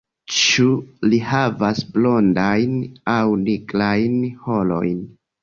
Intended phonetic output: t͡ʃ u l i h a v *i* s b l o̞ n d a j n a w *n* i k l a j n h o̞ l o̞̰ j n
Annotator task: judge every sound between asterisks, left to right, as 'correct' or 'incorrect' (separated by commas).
incorrect, correct